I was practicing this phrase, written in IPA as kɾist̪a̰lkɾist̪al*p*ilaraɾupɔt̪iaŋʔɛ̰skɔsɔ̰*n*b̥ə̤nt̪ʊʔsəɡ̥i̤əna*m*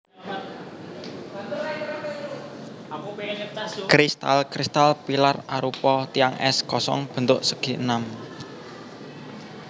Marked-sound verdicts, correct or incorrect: correct, incorrect: ŋ, correct

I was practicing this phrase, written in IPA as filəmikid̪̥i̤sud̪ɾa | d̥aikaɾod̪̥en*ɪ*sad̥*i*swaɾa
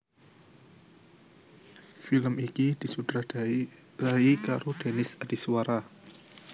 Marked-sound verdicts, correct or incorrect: correct, correct

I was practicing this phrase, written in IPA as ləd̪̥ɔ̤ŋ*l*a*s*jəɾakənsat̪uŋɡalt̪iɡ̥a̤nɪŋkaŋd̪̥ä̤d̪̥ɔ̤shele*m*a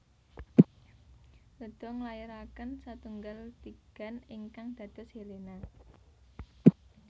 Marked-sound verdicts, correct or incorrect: correct, incorrect: none, incorrect: n

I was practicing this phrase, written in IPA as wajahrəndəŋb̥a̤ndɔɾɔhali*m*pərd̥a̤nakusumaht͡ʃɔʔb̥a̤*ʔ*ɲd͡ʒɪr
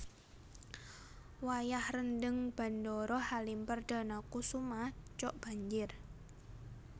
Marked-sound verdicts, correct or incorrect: correct, incorrect: none

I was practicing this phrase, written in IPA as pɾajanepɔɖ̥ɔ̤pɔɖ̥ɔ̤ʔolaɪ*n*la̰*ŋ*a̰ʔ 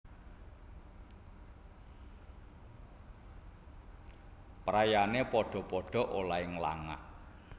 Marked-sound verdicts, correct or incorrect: incorrect: ŋ, correct

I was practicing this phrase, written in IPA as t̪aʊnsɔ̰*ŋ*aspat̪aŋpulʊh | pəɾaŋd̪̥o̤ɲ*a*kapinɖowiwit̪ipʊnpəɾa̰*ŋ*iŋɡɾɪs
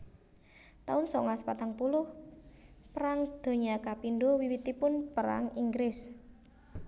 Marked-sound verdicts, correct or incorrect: correct, correct, correct

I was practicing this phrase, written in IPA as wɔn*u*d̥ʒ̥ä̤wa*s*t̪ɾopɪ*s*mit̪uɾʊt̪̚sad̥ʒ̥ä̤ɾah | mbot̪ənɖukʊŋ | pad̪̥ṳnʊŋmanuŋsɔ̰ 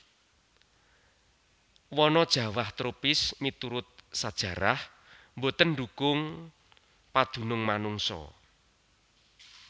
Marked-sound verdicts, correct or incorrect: incorrect: ɔ, incorrect: h, correct

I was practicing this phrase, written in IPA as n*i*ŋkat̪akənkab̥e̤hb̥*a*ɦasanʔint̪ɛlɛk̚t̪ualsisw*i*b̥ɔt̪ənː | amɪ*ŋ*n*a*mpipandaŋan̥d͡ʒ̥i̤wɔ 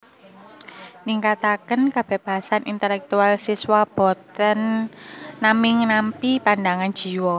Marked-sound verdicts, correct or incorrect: correct, correct, incorrect: a, correct, correct

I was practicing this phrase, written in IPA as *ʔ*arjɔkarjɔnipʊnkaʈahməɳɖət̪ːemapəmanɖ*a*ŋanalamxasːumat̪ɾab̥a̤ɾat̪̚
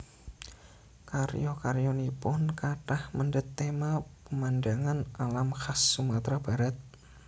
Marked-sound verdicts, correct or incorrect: incorrect: k, correct

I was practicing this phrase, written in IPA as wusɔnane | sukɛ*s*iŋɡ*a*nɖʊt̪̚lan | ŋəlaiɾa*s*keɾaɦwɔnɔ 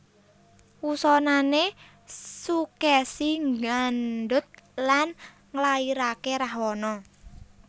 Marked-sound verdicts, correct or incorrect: correct, correct, incorrect: none

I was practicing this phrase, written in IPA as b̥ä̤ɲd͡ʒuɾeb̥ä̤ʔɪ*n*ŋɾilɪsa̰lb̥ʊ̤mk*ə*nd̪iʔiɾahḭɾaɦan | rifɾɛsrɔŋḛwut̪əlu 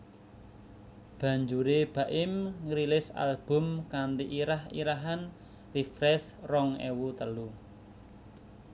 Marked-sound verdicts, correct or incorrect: incorrect: m, incorrect: a

